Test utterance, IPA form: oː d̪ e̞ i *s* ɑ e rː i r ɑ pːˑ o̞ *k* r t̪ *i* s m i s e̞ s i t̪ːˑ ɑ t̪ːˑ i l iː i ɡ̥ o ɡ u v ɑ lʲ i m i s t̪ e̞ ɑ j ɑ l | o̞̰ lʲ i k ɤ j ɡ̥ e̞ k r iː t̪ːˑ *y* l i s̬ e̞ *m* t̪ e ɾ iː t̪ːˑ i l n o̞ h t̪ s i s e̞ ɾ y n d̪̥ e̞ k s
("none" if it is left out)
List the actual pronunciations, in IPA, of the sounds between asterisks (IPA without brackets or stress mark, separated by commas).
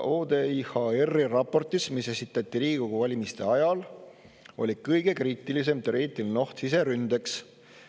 h, none, i, i, m